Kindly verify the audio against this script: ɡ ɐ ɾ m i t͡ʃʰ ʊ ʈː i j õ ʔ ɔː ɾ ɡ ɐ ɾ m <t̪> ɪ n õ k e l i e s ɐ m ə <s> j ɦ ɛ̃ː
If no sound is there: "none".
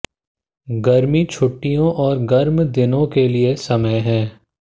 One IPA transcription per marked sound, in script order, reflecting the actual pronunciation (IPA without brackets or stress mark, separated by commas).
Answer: d̪, none